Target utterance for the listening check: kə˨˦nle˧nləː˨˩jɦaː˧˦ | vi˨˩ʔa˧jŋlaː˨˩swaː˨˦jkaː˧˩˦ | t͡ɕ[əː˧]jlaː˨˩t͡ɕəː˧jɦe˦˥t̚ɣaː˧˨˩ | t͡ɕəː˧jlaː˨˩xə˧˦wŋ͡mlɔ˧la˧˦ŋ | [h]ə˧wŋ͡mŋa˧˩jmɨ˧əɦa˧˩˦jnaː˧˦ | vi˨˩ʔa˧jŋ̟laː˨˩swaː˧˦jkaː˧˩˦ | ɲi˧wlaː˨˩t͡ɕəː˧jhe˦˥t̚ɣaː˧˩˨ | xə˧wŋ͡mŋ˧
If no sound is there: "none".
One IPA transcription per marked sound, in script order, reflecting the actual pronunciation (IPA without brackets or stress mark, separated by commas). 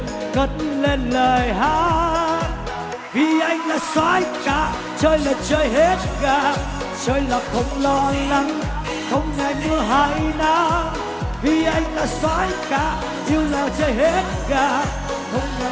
əː˧, x